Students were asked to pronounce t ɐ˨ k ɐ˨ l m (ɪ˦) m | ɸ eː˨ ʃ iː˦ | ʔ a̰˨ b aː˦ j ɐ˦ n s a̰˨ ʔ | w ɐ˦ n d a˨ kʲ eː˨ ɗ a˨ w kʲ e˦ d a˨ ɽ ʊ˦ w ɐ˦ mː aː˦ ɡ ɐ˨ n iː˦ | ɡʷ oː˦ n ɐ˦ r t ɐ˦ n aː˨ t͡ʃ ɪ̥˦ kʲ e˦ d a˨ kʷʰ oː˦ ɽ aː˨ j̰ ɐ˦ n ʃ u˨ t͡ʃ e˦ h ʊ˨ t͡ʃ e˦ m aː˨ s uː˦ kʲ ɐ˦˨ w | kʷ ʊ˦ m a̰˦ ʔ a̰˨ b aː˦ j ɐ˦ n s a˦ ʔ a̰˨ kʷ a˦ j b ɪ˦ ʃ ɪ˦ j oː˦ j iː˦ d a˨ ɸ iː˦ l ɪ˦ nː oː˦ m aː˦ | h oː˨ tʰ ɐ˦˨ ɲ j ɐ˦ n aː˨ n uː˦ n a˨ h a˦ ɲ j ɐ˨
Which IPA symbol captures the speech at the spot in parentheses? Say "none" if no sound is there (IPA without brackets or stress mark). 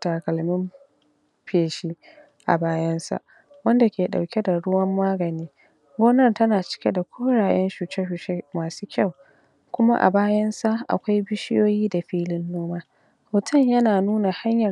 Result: ɪ˦